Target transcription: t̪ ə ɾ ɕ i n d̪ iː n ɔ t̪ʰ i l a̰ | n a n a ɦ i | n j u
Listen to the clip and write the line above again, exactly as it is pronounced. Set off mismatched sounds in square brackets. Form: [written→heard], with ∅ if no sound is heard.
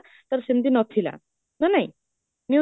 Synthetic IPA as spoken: t̪ ə ɾ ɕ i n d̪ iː n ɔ t̪ʰ i l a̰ | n a n a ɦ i | n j u